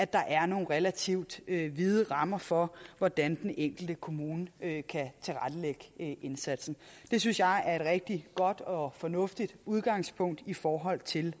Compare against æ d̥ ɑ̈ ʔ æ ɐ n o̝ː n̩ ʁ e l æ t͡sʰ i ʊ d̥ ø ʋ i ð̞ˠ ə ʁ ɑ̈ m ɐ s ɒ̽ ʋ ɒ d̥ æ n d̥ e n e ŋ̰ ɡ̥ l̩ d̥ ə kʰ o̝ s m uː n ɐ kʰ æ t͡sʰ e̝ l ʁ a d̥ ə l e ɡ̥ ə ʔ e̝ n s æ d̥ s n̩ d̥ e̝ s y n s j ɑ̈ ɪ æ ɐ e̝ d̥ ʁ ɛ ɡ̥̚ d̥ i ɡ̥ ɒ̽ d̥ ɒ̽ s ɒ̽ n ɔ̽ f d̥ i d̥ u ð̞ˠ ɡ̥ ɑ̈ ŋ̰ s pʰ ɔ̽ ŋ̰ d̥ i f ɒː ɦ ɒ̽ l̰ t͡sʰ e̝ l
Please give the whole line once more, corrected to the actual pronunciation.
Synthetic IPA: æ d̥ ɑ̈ ʔ æ ɐ n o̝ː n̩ ʁ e l æ t͡sʰ i ʊ d̥ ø ʋ i ð̞ˠ ə ʁ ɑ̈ m ɐ f ɒ̽ ʋ ɒ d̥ æ n d̥ e n e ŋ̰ ɡ̥ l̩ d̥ ə kʰ o̝ m uː n ə kʰ æ t͡sʰ e̝ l ʁ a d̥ ə l e ɡ̥ ə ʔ e̝ n s æ d̥ s n̩ d̥ e̝ s y n s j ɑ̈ ɪ æ ɐ e̝ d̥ ʁ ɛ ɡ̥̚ d̥ i ɡ̥ ɒ̽ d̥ ɒ̽ f ɒ̽ n ɔ̽ f d̥ i d̥ u ð̞ˠ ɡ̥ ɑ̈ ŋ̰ s pʰ ɔ̽ ŋ̰ d̥ i f ɒː ɦ ɒ̽ l̰ t͡sʰ e̝ l

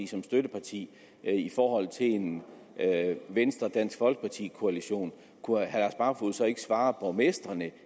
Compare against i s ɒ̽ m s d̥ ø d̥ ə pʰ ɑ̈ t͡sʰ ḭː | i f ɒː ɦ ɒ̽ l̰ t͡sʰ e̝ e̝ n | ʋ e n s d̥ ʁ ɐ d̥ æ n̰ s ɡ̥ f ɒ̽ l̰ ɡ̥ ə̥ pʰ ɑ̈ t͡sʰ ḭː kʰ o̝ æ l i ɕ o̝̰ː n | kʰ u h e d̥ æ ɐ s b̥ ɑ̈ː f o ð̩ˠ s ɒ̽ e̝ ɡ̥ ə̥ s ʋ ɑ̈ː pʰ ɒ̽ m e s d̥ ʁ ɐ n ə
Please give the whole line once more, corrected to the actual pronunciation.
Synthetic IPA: i s ɒ̽ m s d̥ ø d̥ ə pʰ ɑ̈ t͡sʰ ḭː | i f ɒː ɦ ɒ̽ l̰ t͡sʰ e̝ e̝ n | ʋ e n s d̥ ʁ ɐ d̥ æ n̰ s ɡ̥ f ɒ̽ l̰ ɡ̥ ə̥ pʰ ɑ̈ t͡sʰ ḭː kʰ o̝ æ l i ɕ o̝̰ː n | kʰ u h æ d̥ æ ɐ s b̥ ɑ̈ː f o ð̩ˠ s ɒ̽ e̝ ɡ̥ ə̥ s ʋ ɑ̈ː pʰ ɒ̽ m e s d̥ ʁ ɐ n ə

